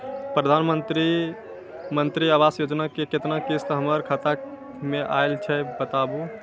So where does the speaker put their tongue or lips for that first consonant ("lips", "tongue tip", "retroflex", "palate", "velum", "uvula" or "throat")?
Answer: lips